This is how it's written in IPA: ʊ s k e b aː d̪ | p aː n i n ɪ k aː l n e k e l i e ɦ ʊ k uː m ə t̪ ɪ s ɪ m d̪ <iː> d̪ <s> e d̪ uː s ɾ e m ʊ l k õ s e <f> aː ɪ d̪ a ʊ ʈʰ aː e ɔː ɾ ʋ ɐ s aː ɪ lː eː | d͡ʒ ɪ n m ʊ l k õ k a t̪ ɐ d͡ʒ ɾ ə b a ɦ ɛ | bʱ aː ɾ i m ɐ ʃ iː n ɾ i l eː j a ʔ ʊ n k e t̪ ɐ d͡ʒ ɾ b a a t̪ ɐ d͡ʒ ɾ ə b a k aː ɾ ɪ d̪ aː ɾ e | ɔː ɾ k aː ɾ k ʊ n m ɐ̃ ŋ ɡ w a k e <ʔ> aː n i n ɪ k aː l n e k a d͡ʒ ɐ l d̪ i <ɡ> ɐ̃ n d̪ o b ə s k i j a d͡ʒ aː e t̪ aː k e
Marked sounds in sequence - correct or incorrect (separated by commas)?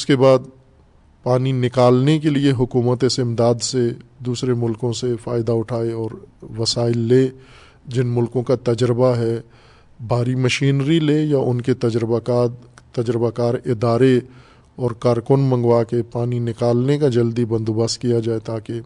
incorrect, correct, correct, incorrect, incorrect